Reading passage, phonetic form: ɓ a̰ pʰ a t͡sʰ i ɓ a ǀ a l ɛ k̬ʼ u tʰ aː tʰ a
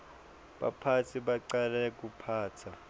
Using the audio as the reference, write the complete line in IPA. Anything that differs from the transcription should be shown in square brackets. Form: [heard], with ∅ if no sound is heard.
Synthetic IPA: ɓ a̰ pʰ a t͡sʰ i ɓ a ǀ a l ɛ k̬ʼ u [pʰ] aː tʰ a